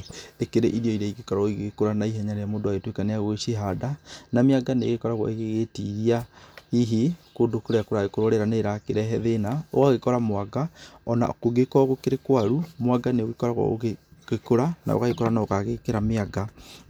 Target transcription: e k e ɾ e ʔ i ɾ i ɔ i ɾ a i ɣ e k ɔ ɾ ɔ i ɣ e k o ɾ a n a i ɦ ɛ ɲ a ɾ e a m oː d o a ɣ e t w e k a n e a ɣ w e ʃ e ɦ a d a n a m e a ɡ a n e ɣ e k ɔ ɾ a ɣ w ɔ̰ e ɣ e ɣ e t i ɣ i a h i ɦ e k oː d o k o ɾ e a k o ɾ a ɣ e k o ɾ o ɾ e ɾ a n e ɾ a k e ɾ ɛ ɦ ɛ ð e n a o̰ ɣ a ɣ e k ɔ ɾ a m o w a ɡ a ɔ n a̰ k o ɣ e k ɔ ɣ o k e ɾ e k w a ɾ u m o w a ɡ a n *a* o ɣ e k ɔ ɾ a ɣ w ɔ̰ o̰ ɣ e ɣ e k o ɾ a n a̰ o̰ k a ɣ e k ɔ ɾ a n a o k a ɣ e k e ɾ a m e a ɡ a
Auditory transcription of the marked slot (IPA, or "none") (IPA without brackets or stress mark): e